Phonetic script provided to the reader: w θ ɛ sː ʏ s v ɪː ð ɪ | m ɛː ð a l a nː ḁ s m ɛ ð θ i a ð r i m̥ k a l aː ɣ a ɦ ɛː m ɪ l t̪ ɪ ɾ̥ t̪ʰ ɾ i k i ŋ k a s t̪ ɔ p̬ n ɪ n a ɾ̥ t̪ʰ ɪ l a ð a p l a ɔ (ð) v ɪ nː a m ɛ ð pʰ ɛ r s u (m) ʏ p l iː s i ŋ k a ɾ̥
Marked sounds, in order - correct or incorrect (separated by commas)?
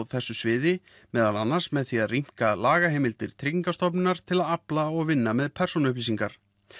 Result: incorrect, incorrect